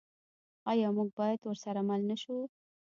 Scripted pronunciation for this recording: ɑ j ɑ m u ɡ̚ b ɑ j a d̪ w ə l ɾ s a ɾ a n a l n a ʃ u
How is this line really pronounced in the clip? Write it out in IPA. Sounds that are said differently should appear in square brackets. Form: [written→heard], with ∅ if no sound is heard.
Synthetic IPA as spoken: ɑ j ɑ m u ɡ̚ b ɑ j a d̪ w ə [l→∅] ɾ s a ɾ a [n→m] a l n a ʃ u